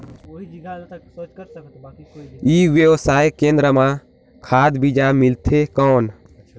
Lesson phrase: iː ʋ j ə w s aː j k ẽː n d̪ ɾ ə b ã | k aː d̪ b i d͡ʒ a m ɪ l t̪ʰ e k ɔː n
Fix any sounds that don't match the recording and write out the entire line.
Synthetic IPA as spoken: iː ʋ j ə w s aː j k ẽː n d̪ ɾ ə m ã | kʰ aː d̪ b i d͡ʒ a m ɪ l t̪ʰ e k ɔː n